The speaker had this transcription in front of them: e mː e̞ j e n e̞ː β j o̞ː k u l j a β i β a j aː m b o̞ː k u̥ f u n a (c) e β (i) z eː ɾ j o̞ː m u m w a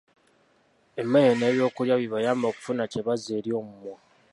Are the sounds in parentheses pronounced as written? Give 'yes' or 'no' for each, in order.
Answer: yes, no

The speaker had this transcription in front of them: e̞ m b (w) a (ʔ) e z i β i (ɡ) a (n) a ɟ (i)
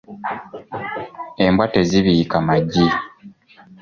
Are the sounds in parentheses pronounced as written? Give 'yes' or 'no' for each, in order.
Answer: yes, no, no, no, yes

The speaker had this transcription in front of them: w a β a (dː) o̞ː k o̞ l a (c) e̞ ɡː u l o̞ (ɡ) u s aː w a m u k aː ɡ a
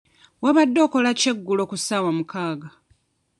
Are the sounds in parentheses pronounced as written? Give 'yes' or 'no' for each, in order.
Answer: yes, yes, no

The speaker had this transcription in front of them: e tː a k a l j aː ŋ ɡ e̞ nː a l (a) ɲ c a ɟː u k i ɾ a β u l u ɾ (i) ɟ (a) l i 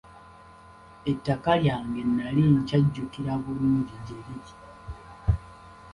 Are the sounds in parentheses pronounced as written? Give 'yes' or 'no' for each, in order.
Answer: no, yes, no

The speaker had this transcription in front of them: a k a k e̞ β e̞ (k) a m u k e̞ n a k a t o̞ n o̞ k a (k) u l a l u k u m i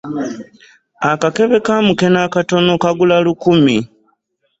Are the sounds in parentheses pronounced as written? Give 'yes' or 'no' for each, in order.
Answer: yes, no

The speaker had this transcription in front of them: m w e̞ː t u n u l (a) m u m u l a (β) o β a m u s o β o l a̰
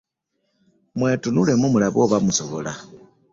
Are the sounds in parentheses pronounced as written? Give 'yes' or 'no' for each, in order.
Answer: no, yes

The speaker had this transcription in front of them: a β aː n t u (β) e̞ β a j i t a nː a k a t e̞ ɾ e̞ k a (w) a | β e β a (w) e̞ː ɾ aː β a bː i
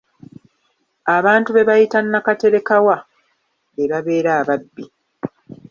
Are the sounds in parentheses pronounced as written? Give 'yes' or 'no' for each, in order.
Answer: yes, yes, no

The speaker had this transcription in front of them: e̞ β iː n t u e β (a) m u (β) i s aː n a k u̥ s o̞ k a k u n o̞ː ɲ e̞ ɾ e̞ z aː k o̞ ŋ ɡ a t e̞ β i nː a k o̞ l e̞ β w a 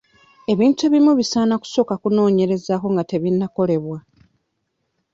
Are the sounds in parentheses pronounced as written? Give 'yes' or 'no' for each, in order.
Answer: no, yes

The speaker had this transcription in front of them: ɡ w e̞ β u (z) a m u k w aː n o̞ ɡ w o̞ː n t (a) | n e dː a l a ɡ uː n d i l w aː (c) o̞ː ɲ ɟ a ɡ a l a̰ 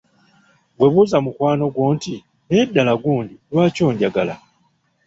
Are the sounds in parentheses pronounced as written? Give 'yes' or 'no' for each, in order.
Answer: yes, no, yes

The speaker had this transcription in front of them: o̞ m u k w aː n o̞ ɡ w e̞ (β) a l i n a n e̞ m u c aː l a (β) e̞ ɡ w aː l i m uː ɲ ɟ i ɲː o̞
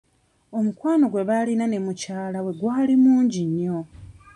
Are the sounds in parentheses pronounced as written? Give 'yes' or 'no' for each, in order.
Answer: yes, no

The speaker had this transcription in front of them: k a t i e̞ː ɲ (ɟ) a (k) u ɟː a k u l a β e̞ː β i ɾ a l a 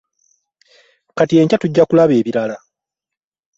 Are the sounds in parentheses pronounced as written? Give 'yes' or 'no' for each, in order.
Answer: no, no

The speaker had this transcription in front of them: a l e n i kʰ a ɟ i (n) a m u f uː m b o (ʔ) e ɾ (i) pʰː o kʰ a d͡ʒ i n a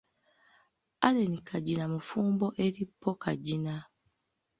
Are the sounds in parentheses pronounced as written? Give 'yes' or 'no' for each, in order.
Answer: yes, yes, yes

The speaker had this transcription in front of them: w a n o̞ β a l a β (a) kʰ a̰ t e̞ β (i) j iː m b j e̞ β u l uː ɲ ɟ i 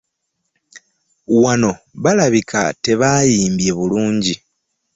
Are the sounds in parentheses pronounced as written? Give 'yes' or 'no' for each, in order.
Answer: no, no

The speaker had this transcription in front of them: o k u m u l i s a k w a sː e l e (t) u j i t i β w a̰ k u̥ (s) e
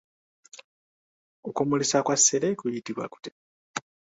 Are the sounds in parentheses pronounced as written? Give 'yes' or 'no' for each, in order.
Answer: no, no

